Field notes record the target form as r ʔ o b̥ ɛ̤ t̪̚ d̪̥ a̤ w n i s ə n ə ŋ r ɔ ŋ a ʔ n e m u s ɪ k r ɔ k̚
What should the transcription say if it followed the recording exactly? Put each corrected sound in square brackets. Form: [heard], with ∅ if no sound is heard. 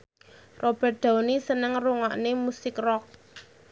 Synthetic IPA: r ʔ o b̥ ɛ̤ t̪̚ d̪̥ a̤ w n i s ə n ə ŋ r [u] ŋ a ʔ n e m u s ɪ k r ɔ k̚